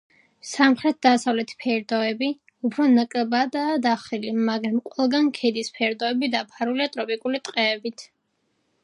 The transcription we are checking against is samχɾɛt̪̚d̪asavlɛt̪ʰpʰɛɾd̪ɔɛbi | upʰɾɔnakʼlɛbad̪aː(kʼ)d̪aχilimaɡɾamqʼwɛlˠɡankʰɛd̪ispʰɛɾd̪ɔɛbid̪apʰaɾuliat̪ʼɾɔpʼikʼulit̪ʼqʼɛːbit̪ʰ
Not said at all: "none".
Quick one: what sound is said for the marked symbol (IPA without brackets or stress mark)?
none